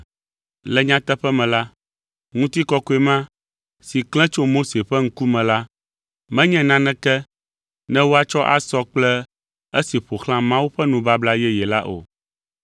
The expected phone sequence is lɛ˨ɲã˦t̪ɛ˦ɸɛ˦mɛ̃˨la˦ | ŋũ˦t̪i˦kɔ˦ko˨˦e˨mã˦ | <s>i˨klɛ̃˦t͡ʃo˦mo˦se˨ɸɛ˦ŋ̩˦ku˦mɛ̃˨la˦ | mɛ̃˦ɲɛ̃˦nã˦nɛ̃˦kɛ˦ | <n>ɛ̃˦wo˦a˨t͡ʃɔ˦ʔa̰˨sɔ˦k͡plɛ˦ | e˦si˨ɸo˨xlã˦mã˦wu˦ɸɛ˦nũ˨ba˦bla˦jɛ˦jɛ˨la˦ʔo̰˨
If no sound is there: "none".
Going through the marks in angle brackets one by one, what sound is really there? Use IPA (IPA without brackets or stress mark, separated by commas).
s, n